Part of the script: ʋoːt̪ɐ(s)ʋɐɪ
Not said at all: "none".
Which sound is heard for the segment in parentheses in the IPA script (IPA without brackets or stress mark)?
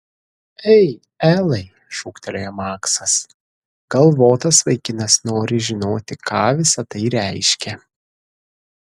s